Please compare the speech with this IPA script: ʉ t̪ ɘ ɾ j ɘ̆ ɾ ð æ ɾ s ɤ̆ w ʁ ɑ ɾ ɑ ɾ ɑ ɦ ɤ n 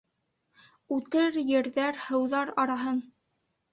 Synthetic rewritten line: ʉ t̪ ɘ ɾ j ɘ̆ ɾ ð æ ɾ h ɤ̆ w ð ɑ ɾ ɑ ɾ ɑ ɦ ɤ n